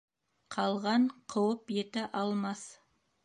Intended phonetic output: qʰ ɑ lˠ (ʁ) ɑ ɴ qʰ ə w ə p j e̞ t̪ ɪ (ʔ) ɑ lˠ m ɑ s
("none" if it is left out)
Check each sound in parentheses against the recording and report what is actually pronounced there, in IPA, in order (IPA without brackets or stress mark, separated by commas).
ʁ, ʔ